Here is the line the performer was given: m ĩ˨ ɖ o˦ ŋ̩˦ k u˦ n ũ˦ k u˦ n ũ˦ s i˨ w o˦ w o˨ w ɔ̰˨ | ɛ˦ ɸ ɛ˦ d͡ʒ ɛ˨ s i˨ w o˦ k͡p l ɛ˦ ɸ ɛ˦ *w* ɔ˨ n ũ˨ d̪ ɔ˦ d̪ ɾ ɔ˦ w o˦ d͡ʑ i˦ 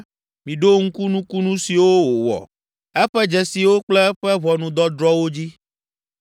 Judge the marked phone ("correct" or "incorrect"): incorrect